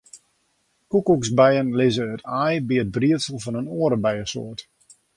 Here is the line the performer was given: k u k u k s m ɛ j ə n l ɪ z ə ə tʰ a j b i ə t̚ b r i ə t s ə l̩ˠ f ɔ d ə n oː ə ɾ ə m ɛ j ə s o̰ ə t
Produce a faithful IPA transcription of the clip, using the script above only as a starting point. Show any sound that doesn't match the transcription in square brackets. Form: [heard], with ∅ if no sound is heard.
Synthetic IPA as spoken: k u k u k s [b] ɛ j ə n l ɪ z ə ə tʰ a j b i ə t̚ b r i ə t s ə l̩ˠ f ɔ [n] ə n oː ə ɾ ə [b] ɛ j ə s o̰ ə t